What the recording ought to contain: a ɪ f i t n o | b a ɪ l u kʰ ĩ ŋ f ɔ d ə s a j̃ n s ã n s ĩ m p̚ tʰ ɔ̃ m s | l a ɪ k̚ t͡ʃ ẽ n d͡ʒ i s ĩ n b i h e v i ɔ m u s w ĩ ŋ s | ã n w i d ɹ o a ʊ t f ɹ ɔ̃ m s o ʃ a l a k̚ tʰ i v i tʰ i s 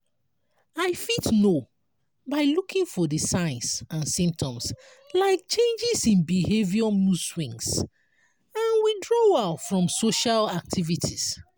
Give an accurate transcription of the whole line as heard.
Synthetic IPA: a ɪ f i t n o | b a ɪ l u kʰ ĩ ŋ f ɔ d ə s a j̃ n s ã n s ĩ m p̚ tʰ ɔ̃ m s | l a ɪ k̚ t͡ʃ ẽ n d͡ʒ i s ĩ n b i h e v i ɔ m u s w ĩ ŋ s | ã n w i d ɹ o a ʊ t f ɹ ɔ̃ m s o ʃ a l a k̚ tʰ i v i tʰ i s